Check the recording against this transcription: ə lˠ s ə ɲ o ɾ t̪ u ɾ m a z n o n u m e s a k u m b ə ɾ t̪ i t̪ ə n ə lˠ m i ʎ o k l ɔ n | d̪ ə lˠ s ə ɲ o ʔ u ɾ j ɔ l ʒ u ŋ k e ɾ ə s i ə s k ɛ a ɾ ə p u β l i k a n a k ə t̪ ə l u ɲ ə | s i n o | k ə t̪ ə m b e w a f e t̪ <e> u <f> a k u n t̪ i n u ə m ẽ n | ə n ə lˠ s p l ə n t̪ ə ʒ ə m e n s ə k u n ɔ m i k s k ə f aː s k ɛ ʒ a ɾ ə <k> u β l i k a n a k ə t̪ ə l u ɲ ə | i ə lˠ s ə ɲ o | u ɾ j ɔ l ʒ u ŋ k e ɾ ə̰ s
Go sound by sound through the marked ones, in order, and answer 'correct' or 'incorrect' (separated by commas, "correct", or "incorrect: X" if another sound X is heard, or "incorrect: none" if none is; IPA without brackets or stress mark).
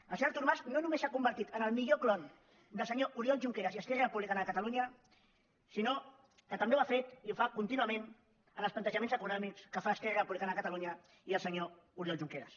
incorrect: i, correct, incorrect: p